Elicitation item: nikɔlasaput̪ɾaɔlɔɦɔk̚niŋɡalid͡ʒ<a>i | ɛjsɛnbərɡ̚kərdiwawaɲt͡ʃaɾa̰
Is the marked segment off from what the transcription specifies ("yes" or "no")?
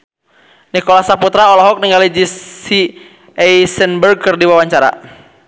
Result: yes